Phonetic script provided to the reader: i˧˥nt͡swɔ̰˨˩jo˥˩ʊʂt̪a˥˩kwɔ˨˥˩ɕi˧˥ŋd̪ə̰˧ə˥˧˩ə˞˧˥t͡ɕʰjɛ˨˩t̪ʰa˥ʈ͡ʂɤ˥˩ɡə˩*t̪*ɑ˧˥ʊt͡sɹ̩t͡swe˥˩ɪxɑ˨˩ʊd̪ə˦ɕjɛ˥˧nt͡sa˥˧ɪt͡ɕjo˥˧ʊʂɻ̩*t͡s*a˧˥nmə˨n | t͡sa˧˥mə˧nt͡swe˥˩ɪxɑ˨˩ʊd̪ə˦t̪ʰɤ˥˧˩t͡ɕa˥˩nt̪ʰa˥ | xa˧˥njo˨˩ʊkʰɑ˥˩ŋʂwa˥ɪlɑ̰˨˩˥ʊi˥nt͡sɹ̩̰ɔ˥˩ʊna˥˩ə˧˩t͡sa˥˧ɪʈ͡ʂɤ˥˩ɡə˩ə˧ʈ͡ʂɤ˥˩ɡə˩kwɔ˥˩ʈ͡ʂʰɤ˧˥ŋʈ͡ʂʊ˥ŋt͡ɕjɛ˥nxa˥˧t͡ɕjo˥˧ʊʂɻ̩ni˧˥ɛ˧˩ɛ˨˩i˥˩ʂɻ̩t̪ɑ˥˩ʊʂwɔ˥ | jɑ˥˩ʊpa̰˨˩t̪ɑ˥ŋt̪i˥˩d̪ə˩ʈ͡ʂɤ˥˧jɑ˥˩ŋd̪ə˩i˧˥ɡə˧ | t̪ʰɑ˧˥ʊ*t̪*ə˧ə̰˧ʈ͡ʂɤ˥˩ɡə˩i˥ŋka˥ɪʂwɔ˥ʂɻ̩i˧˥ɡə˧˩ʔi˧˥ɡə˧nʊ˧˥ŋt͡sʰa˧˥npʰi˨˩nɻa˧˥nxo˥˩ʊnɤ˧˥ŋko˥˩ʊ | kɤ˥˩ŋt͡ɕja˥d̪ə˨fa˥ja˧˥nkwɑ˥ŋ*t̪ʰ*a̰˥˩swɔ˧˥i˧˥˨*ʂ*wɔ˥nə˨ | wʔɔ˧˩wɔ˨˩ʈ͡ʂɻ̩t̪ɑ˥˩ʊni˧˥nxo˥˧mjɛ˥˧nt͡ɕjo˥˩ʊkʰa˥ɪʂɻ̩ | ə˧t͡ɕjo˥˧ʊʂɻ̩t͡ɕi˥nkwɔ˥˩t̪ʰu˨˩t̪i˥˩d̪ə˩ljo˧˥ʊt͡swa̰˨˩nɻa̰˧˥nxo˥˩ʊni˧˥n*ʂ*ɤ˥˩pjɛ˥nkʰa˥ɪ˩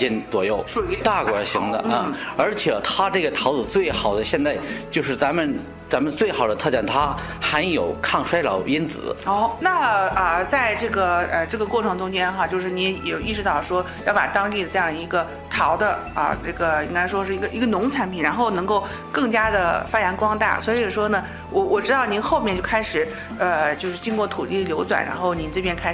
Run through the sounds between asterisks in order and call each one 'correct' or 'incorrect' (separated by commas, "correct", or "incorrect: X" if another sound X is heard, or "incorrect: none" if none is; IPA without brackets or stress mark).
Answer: incorrect: t̪ʰ, correct, incorrect: d̪, incorrect: t̪, correct, incorrect: ʈ͡ʂ